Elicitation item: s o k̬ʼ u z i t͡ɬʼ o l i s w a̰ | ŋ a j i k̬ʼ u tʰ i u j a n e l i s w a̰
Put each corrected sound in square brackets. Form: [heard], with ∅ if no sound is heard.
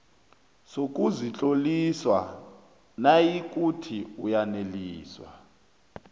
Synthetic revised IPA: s o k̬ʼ u z i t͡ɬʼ o l i s w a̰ | [n] a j i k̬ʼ u tʰ i u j a n e l [iː] s w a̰